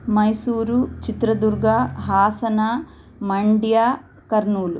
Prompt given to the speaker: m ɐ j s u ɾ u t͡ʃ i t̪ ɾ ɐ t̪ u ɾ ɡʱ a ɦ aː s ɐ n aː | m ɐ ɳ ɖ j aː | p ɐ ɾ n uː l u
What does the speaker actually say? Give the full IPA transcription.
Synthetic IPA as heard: m ɐ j s uː ɾ u t͡ʃ i t̪ ɾ ɐ d̪ u ɾ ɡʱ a ɦ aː s ɐ n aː | m ɐ ɳ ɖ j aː | k ɐ ɾ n uː l u